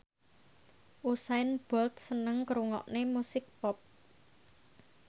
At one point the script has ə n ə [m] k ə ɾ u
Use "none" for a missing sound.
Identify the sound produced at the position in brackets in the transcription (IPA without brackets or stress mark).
ŋ